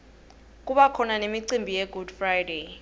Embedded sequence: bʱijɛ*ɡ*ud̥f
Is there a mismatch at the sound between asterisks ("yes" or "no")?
no